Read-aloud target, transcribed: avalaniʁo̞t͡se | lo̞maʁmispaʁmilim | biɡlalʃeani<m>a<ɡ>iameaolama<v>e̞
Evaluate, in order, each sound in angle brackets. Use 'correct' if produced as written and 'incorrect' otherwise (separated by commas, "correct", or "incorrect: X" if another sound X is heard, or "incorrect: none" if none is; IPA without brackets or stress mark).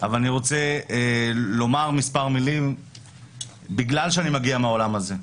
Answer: correct, correct, incorrect: z